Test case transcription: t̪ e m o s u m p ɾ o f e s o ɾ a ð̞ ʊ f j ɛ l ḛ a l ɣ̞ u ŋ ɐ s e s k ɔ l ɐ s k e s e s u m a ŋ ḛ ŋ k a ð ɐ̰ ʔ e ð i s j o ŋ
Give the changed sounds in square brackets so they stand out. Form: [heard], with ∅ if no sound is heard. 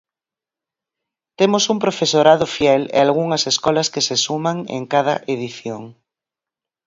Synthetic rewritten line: t̪ e m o s u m p ɾ o f e s o ɾ a ð̞ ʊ f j ɛ l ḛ a l ɣ̞ u ŋ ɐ s e s k ɔ l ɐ s k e s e s u m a ŋ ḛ ŋ k a ð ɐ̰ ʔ e ð i [θ] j o ŋ